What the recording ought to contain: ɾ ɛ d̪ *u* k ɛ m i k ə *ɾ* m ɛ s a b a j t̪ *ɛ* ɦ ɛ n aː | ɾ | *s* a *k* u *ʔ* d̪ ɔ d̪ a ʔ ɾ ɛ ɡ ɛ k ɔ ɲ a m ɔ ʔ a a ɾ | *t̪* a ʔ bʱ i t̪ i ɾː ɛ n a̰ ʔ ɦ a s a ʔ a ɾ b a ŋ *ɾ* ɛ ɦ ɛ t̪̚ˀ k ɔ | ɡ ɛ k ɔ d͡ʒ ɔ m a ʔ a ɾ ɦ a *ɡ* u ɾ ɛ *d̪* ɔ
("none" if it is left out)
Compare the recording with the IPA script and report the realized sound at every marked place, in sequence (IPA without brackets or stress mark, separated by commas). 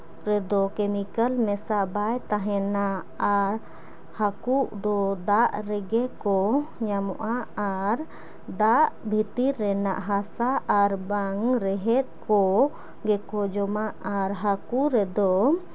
ɔ, l, a, h, k, ʔ, d̪, ɾ, k, d̪